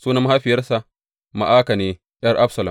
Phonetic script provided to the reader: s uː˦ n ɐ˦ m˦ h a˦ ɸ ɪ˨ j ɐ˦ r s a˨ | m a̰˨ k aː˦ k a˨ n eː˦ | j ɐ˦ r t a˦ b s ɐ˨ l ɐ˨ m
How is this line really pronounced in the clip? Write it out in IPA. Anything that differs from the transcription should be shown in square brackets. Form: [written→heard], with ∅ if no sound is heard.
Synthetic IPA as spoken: s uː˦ n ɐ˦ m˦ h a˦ ɸ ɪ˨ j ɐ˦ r s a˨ | m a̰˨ [k→ʔ] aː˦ k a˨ n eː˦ | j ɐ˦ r [t→ʔ] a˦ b s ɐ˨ l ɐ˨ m